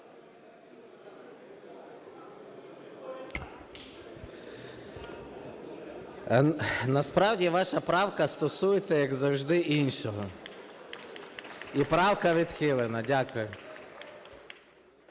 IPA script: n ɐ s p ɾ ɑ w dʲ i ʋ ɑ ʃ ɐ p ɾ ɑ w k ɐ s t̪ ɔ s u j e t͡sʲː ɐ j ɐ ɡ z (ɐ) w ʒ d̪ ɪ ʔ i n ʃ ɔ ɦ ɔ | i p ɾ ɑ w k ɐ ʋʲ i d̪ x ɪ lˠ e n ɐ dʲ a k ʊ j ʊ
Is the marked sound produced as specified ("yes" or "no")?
yes